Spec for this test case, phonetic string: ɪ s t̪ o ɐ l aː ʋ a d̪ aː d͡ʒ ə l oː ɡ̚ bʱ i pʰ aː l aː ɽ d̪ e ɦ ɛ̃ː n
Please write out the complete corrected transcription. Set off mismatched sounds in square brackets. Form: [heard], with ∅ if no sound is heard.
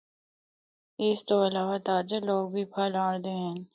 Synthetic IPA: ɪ s t̪ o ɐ l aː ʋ a [t̪] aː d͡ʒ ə l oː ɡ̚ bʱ i pʰ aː l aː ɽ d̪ e ɦ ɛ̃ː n